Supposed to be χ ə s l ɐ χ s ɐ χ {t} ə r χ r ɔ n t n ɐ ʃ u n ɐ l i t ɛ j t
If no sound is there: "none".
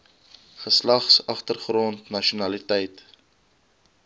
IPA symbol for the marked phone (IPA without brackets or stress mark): t